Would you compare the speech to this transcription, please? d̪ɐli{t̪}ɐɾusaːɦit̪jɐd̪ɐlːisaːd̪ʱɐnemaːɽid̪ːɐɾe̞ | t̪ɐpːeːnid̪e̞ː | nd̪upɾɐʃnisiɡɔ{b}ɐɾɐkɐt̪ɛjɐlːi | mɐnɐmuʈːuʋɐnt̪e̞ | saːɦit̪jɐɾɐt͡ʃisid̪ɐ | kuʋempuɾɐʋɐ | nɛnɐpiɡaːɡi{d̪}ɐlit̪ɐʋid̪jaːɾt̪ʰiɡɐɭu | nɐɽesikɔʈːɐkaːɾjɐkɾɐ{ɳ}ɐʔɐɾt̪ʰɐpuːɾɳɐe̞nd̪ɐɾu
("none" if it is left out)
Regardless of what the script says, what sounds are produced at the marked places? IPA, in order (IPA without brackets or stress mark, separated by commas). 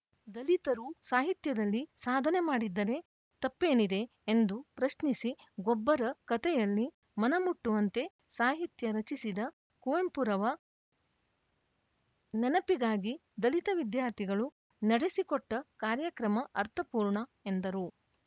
t̪, bː, d̪, m